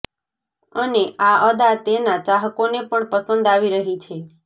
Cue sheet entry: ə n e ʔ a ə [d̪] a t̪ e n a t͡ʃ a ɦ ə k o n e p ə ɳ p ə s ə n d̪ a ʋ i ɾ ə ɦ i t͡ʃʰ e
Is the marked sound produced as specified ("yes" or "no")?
yes